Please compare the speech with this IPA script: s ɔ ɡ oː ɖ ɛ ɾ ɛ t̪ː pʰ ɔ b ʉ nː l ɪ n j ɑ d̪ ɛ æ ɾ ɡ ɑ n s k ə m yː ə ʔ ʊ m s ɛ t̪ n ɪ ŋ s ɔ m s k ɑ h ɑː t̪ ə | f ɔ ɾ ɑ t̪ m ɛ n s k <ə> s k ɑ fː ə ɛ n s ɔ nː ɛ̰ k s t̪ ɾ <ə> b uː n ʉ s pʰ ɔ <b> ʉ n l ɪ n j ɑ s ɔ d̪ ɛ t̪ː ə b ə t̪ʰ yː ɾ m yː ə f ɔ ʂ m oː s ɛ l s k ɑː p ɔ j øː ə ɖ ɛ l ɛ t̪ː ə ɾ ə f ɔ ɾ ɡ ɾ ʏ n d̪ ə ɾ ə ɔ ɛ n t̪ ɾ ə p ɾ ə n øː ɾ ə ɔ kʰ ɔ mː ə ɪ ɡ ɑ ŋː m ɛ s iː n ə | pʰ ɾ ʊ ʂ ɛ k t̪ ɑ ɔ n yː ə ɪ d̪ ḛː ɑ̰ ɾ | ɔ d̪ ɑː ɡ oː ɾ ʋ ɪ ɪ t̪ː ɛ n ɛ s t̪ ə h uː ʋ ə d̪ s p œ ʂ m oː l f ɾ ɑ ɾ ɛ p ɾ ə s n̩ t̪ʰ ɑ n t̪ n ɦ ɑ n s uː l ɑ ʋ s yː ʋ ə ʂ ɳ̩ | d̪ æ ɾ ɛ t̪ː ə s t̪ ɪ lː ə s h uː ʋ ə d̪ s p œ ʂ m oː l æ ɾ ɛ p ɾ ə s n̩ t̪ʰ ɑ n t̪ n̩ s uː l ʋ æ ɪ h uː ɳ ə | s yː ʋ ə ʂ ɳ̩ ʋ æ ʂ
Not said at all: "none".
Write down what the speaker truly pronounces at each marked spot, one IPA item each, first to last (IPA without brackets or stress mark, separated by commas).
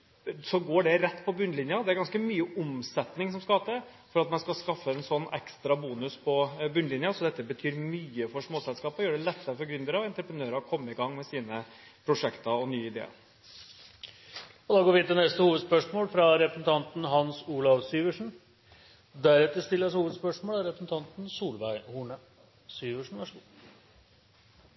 ɑ, ɑ, b